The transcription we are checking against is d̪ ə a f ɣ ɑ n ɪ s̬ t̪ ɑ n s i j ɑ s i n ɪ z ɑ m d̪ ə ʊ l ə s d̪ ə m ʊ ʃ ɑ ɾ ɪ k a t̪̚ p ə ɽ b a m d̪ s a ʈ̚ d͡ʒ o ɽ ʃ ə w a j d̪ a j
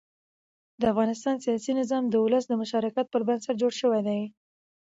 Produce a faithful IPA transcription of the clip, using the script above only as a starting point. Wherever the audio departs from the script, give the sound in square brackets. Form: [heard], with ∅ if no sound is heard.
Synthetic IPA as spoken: d̪ ə a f ɣ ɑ n ɪ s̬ t̪ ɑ n s i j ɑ s i n ɪ z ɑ m d̪ ə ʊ l ə s d̪ ə m ʊ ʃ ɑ ɾ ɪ k a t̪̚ p ə [ɾ] b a [n] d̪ s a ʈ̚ d͡ʒ o ɽ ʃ ə w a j d̪ a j